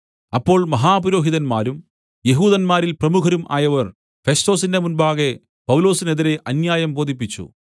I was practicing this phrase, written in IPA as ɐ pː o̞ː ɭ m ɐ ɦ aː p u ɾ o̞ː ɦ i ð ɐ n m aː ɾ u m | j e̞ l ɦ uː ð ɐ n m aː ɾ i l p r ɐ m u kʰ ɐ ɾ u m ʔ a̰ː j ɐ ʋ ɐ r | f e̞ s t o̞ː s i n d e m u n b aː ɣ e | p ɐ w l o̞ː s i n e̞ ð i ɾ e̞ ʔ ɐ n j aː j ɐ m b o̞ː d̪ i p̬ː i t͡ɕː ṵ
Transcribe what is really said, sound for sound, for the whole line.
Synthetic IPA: ɐ pː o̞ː ɭ m ɐ ɦ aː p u ɾ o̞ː ɦ i ð ɐ n m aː ɾ u m | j e̞ ɦ uː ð ɐ n m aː ɾ i l p r ɐ m u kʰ ɐ ɾ u m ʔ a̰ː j ɐ ʋ ɐ r | f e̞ s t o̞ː s i n d e m u n b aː ɣ e | p ɐ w l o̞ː s i n e̞ ð i ɾ e̞ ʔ ɐ n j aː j ɐ m b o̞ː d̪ i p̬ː i t͡ɕː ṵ